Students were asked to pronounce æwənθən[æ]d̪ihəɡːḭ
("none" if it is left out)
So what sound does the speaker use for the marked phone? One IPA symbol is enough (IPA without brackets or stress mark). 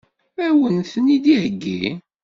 i